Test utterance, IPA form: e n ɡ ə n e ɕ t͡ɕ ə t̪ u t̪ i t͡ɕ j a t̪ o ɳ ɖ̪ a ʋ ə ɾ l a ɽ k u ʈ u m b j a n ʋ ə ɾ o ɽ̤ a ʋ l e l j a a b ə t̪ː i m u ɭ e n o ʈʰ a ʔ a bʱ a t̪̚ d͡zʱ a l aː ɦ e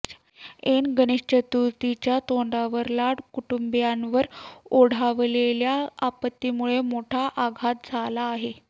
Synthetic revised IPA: e n ɡ ə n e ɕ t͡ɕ ə t̪ u t̪ i t͡ɕ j a t̪ o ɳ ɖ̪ a ʋ ə ɾ l a ɽ k u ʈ u m b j a n ʋ ə ɾ o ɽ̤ a ʋ l e l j a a p ə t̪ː i m u ɭ e m o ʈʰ a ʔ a ɡʱ a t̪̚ d͡zʱ a l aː ɦ e